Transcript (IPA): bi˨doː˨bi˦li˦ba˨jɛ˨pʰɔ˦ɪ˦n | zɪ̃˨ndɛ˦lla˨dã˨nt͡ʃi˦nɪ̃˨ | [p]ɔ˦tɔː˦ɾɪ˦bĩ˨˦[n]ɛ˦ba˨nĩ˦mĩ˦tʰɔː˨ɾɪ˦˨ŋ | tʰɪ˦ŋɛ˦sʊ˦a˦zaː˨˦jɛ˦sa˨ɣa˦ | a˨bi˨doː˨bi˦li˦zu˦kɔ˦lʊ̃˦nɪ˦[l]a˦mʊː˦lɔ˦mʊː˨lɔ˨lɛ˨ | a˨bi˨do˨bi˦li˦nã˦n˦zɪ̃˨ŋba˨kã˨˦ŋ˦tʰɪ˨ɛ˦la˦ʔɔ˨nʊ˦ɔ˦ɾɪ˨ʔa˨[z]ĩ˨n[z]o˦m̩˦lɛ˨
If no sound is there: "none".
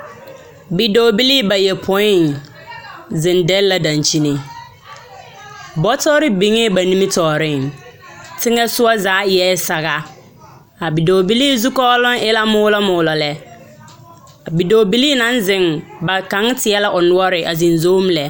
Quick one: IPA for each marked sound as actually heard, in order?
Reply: b, ŋ, l, z, z

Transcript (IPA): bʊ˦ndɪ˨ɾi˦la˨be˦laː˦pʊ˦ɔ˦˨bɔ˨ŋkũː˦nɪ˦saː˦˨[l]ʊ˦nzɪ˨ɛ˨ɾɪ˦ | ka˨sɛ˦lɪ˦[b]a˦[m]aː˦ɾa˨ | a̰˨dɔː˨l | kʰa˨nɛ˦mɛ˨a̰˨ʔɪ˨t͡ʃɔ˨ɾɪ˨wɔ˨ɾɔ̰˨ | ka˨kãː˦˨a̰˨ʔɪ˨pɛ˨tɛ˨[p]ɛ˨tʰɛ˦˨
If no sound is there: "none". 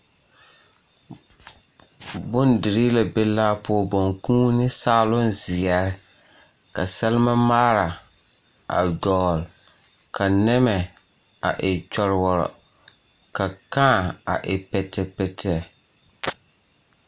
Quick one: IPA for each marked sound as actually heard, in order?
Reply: l, m, m, p

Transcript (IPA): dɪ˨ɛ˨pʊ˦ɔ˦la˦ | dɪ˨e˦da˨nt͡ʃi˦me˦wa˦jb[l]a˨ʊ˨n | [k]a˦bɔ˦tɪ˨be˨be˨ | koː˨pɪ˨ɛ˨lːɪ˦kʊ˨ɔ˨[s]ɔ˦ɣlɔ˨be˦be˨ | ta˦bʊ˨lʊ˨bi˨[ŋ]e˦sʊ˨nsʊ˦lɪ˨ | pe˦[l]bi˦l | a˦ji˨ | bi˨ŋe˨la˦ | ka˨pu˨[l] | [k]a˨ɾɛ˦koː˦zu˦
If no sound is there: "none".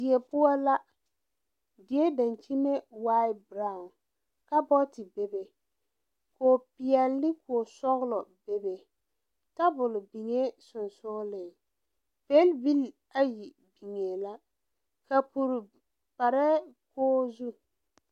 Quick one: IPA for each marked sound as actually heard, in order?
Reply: ɾ, k, s, ŋ, l, ɾ, p

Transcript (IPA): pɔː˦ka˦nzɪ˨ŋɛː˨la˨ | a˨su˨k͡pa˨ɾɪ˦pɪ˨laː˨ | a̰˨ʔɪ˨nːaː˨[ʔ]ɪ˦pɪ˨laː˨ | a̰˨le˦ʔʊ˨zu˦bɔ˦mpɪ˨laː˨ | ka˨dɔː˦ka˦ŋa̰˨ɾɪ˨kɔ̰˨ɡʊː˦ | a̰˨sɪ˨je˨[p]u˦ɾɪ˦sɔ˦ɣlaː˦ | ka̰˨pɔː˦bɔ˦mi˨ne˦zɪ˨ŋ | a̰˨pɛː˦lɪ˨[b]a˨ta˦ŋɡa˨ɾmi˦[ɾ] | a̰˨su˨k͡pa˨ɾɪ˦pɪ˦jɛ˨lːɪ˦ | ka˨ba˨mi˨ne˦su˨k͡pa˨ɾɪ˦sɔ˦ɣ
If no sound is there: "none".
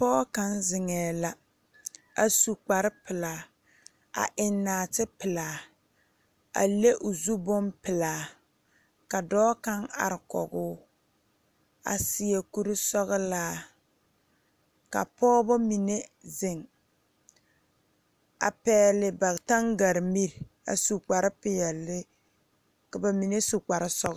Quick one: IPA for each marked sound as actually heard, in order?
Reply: t, k, b, ɾ

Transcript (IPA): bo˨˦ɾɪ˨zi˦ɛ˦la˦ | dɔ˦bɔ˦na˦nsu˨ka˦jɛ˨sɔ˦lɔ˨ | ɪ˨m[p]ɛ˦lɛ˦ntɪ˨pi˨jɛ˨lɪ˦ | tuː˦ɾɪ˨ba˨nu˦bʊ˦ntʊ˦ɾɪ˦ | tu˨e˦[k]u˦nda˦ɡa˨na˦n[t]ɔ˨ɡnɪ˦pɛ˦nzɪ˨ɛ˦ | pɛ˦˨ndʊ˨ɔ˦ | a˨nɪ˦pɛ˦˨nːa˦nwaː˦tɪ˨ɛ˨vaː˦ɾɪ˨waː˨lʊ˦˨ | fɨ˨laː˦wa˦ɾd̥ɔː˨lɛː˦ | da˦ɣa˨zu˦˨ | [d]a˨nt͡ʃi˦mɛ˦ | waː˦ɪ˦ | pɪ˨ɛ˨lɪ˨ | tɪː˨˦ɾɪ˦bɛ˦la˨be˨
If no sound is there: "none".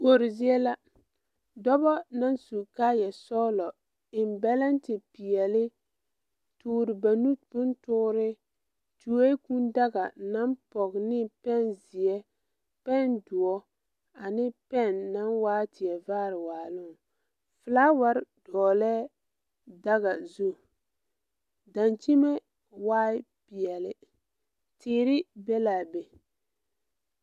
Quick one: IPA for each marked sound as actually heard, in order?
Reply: b, k, p, d

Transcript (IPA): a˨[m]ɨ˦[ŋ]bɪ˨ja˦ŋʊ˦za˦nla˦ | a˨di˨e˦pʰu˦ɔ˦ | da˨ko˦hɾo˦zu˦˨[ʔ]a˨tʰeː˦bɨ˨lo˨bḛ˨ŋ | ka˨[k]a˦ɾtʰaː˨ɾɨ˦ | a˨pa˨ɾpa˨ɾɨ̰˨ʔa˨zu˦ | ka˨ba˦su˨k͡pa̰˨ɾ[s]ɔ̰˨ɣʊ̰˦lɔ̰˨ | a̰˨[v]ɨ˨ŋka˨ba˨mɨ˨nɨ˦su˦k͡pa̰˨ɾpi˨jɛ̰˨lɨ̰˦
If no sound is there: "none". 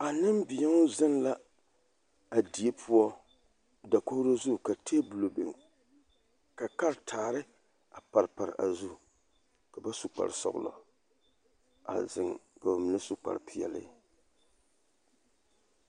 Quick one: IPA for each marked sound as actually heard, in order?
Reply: n, m, k, k, s, z

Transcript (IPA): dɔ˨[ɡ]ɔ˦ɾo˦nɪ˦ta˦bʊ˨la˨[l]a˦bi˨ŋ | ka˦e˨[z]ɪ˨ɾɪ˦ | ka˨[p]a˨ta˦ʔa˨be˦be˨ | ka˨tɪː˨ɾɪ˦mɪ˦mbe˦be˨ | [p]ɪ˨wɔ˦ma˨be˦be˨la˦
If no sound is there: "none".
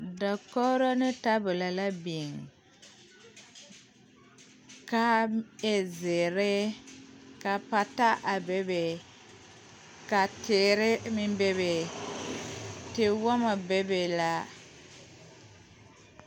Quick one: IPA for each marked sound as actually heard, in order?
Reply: k, l, z, p, t

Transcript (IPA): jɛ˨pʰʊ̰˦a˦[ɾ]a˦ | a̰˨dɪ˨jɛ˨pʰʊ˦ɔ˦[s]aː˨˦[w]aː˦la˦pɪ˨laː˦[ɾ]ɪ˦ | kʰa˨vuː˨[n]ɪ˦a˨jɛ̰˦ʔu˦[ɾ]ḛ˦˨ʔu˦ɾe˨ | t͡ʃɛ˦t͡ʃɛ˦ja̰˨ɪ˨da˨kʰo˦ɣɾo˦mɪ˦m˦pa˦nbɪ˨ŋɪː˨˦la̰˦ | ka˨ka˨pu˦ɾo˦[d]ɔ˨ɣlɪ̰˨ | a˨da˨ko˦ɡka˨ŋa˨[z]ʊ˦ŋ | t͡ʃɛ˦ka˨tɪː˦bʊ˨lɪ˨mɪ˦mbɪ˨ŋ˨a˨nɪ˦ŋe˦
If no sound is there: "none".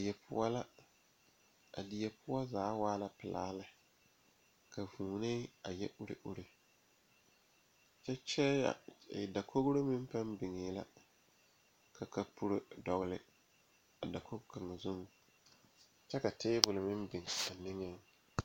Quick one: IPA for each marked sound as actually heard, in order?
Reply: l, z, w, l, n, ɾ, d, z

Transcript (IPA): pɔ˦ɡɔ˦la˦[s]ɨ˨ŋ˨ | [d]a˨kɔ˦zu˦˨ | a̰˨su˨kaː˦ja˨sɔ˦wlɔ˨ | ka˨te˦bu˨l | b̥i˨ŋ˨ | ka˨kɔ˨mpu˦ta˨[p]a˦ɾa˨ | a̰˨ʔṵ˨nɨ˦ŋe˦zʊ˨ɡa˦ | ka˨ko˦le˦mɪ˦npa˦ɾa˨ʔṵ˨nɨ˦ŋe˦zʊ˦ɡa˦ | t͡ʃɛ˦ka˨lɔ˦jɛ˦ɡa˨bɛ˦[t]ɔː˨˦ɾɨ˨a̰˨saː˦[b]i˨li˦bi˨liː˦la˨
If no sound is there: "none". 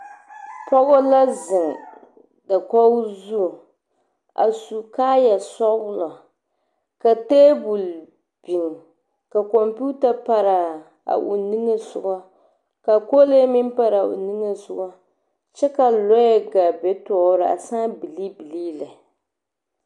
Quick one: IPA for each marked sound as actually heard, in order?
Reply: z, d, p, t, b

